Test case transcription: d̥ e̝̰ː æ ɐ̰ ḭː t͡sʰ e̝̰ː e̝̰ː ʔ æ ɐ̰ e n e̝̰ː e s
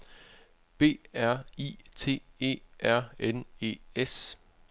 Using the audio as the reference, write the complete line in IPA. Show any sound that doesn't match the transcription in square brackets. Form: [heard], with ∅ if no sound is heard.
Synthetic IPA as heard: [b̥] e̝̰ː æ ɐ̰ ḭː t͡sʰ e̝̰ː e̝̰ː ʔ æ ɐ̰ e n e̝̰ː e s